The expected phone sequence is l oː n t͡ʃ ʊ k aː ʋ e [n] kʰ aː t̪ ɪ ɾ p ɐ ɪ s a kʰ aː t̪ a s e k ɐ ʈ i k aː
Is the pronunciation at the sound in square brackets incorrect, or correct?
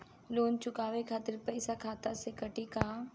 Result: incorrect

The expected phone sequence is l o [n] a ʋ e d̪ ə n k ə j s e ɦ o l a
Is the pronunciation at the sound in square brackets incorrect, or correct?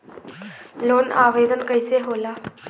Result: correct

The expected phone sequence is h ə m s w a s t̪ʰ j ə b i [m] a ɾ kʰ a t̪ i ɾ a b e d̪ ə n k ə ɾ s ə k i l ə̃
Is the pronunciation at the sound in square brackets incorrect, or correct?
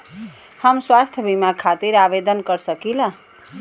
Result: correct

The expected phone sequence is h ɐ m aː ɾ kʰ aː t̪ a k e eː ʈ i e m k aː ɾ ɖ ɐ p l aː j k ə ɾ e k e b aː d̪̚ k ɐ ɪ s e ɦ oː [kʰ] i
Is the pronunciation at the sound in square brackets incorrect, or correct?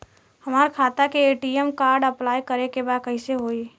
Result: incorrect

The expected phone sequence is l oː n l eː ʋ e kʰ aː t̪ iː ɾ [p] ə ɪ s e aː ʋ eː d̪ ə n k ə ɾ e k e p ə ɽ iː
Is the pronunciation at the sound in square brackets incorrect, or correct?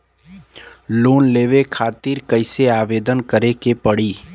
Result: incorrect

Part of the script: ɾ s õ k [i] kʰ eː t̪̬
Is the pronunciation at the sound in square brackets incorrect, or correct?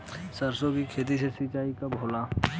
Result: correct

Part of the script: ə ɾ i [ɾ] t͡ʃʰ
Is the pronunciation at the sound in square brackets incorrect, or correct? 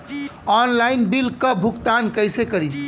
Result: incorrect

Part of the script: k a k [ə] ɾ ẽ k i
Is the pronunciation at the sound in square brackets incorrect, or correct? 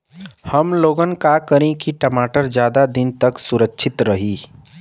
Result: correct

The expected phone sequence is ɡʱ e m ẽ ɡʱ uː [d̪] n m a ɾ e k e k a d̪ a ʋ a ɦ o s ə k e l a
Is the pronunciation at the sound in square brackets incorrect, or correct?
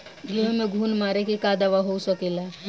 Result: incorrect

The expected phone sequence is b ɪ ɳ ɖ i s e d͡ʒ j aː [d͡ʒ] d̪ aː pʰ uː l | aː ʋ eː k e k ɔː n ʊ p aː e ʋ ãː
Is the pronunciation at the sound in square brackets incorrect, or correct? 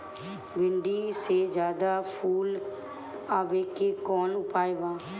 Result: incorrect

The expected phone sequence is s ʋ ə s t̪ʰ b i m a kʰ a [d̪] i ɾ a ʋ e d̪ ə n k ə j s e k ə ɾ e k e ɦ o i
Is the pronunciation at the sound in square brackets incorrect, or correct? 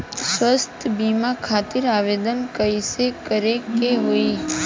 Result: incorrect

